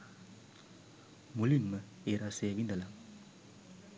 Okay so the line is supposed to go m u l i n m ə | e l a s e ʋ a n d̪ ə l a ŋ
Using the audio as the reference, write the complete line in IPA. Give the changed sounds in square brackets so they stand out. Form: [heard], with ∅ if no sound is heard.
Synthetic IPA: m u l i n m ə | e [ɾ] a s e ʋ [i] n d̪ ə l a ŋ